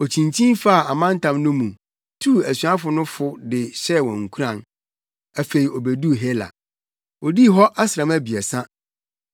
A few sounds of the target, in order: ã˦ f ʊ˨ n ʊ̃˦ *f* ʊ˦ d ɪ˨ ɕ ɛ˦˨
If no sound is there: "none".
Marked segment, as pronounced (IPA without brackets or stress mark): f